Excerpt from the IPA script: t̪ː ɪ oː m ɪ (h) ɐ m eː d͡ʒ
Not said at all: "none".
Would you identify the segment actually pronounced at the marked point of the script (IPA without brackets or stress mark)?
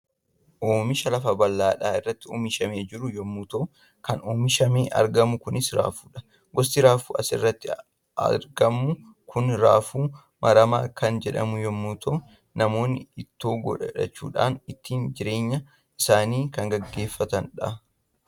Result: ʃ